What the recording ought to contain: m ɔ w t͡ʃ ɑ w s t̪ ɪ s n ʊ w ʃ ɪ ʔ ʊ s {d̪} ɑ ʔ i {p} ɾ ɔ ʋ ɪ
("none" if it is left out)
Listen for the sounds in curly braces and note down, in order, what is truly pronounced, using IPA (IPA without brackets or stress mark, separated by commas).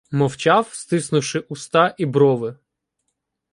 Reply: t̪, b